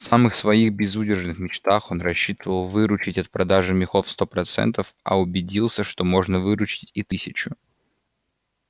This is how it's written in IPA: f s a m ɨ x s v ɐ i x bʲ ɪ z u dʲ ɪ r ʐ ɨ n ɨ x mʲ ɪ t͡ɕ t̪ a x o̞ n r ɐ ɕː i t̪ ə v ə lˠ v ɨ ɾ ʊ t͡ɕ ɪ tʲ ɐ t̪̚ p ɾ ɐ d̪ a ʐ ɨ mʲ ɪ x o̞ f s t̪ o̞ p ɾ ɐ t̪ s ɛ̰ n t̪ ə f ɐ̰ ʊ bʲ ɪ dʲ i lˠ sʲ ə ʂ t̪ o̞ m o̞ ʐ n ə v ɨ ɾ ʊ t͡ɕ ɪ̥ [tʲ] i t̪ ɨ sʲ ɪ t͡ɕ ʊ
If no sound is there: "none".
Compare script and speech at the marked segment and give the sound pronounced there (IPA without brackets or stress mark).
tʲ